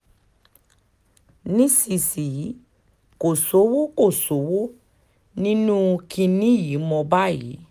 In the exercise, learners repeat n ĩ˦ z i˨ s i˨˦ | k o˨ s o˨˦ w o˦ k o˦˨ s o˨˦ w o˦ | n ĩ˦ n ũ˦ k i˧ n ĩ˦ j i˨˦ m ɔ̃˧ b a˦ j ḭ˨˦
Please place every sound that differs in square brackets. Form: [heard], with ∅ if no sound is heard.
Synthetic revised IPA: n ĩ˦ [s] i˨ s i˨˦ | k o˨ s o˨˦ w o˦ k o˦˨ s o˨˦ w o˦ | n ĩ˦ n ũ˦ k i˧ n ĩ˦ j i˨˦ m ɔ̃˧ b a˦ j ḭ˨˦